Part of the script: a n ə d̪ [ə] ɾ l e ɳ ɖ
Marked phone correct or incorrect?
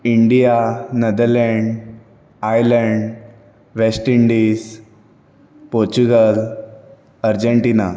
correct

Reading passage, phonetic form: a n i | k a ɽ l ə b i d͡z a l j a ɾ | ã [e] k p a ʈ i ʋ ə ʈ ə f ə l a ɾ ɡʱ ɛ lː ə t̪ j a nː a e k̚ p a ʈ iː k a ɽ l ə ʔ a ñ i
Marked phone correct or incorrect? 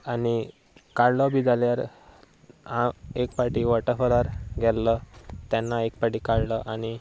correct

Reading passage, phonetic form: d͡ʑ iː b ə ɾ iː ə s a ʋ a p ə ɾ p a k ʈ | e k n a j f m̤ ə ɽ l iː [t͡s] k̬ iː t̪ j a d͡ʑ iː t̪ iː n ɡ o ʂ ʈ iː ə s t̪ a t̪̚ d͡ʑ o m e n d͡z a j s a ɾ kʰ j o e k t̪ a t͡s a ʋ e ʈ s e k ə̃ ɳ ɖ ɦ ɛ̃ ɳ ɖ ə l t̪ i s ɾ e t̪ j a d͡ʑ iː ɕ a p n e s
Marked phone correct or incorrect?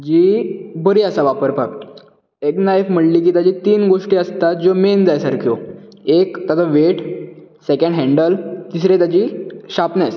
incorrect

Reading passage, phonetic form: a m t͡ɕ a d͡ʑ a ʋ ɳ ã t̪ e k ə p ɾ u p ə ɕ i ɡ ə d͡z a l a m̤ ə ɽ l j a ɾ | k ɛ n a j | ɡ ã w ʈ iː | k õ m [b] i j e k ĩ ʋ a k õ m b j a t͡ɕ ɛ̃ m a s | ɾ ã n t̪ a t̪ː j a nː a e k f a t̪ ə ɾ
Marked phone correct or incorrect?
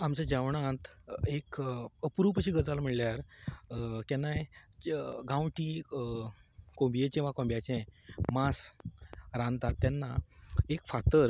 correct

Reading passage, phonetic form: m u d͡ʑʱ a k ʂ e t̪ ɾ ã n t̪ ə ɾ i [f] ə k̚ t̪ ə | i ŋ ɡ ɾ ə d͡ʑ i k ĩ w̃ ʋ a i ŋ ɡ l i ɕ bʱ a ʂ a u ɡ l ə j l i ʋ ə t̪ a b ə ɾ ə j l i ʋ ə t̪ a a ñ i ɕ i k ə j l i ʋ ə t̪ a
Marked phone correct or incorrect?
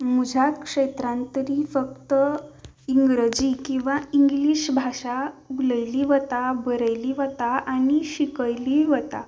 correct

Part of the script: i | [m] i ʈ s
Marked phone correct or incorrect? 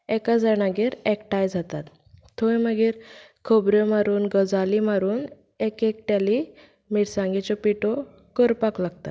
correct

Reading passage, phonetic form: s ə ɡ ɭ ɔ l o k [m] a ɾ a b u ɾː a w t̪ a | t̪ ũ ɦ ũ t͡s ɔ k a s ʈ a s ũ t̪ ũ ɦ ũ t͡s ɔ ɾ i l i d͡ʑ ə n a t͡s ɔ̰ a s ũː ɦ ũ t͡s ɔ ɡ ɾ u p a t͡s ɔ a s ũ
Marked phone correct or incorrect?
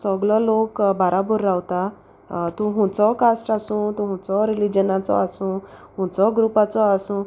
incorrect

